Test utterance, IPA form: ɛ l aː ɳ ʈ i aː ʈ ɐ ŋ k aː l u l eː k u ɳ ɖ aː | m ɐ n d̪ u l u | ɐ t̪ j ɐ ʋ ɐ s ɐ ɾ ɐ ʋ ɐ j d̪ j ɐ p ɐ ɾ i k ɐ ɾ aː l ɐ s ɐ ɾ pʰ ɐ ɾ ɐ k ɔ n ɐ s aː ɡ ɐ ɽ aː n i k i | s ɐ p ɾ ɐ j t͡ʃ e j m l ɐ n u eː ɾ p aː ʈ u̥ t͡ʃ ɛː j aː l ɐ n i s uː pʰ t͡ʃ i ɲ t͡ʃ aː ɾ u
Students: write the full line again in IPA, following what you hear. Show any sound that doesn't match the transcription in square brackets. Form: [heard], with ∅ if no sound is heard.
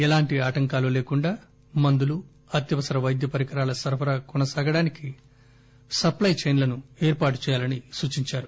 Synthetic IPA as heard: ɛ l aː ɳ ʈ i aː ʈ ɐ ŋ k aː l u l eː k u ɳ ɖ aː | m ɐ n d̪ u l u | ɐ t̪ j ɐ ʋ ɐ s ɐ ɾ ɐ ʋ ɐ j d̪ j ɐ p ɐ ɾ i k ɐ ɾ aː l ɐ s ɐ ɾ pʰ ɐ ɾ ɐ k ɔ n ɐ s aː ɡ ɐ ɽ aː n i k i | s ɐ p [l] ɐ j t͡ʃ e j [n] l ɐ n u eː ɾ p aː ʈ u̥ t͡ʃ ɛː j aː l ɐ n i s uː [∅] t͡ʃ i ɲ t͡ʃ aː ɾ u